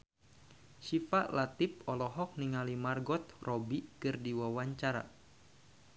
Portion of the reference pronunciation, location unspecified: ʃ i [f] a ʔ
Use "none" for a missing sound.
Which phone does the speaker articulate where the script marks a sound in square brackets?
f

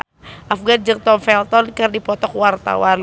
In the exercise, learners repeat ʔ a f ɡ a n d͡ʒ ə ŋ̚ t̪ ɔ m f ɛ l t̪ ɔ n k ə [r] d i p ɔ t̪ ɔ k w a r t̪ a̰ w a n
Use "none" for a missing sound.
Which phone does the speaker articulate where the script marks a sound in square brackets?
r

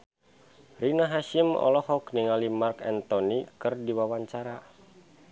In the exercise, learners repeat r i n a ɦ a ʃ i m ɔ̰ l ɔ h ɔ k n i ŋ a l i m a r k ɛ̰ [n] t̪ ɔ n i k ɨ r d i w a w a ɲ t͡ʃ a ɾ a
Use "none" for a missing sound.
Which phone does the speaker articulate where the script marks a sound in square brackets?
n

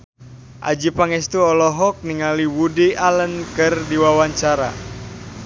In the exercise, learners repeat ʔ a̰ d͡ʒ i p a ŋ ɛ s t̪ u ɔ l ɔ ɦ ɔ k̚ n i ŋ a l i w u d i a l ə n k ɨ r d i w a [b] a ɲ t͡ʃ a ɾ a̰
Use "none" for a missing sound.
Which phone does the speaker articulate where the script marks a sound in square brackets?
w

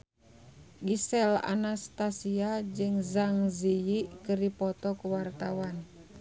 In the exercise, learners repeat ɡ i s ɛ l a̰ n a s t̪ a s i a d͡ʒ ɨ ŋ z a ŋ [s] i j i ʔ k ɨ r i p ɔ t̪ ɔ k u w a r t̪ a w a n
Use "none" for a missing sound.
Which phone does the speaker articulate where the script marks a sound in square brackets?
z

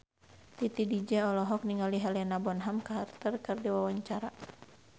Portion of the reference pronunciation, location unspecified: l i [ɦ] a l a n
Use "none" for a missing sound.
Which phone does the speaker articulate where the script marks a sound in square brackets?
ɦ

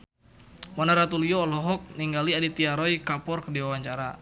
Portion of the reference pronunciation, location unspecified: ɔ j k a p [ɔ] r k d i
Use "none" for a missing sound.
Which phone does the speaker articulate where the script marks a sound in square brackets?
ɔ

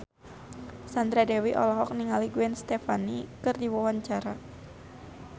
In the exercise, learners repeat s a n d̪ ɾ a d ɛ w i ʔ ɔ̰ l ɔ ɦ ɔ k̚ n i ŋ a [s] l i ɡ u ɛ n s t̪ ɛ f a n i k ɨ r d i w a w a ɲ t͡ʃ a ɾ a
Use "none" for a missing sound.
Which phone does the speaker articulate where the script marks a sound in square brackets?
none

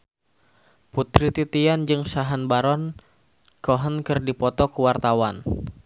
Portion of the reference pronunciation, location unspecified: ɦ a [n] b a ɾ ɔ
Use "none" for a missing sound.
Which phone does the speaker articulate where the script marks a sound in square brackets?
n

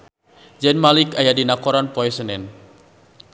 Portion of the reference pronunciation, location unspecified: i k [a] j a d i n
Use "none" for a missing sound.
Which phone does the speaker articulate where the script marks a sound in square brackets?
a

